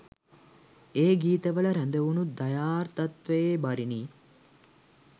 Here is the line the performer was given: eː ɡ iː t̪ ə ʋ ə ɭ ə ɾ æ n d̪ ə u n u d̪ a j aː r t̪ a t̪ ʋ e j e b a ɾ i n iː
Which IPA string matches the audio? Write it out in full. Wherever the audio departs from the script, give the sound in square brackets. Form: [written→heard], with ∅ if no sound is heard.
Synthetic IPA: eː ɡ iː t̪ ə ʋ ə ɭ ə ɾ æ n d̪ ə u n u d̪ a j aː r t̪ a t̪ ʋ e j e b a ɾ i n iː